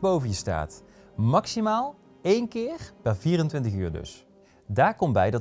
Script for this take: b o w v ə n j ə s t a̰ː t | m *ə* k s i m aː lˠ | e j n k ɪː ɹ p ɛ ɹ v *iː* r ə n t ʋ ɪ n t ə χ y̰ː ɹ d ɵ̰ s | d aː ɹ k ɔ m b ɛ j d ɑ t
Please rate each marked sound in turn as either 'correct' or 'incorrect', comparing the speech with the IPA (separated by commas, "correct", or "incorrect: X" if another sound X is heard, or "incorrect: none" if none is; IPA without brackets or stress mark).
incorrect: ɑ, correct